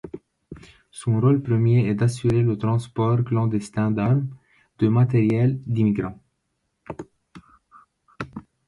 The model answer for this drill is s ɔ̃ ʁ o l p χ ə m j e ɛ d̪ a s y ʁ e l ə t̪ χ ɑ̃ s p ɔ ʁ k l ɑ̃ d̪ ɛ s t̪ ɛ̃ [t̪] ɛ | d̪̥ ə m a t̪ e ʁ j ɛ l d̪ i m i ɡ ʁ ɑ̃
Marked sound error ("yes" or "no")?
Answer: yes